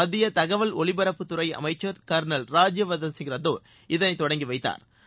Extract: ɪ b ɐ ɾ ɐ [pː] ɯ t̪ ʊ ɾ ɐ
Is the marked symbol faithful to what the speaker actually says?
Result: yes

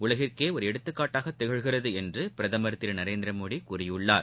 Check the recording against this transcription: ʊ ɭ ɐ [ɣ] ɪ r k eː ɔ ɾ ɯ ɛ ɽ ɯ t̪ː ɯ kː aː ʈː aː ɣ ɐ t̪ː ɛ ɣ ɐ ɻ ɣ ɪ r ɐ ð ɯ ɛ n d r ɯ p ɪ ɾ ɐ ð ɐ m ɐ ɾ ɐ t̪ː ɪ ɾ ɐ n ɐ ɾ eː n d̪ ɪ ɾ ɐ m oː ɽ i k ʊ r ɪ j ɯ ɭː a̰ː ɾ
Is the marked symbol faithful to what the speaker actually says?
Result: yes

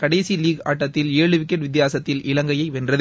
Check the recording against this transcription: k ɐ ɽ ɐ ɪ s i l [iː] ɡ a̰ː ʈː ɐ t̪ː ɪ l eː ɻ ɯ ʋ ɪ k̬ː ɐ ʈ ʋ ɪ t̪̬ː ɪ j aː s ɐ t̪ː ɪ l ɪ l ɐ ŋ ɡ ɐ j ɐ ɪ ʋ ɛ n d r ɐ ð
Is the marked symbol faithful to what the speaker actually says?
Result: yes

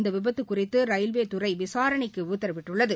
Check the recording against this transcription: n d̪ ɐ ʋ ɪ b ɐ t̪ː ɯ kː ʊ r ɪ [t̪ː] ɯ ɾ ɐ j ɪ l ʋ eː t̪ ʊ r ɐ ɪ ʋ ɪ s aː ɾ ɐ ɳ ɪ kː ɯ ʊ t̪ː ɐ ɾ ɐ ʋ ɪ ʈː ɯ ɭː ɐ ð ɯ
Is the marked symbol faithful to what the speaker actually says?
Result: yes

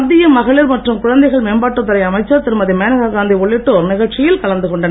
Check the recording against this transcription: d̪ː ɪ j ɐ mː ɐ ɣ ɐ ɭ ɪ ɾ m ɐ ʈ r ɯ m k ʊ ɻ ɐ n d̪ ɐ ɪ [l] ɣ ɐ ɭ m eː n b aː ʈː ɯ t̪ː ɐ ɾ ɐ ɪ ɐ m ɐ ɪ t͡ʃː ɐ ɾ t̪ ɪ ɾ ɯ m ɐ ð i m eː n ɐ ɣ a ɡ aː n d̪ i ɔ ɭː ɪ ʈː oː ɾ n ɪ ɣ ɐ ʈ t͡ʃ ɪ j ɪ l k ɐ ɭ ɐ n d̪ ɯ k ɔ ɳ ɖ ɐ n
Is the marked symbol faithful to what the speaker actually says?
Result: no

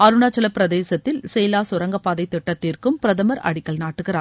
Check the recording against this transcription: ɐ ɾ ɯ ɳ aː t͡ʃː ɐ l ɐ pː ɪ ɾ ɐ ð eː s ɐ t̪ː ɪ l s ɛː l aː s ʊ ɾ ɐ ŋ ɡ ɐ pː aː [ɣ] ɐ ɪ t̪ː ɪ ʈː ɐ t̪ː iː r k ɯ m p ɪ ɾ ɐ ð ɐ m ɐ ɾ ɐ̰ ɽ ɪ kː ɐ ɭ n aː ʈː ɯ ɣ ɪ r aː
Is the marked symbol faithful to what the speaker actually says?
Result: no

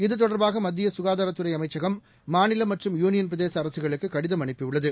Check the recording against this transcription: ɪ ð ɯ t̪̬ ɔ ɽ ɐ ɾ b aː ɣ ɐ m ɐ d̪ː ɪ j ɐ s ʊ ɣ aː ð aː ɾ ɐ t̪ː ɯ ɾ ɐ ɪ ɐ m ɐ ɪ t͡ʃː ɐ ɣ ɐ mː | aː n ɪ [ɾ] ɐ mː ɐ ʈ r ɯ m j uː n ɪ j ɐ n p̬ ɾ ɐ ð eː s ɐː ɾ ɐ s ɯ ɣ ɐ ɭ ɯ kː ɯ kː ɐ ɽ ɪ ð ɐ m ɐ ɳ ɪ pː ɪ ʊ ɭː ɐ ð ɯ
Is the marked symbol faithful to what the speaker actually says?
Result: no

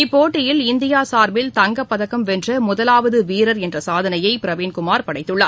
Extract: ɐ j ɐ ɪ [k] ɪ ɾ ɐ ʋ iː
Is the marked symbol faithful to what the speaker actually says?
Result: no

